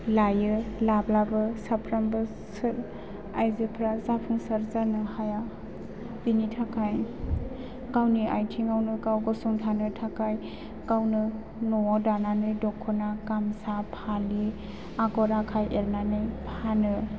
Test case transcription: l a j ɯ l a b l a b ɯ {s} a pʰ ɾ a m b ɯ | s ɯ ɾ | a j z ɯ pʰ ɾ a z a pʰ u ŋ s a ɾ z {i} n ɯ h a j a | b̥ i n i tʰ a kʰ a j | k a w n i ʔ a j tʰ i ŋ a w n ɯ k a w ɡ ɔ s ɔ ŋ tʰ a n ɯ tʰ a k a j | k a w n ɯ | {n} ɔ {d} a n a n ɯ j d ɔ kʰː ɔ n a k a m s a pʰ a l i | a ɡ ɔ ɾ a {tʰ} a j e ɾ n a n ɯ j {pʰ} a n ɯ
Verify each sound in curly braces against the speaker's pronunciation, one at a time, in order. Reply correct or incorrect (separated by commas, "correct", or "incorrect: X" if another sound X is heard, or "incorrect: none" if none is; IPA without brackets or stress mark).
correct, incorrect: a, correct, correct, incorrect: kʰ, correct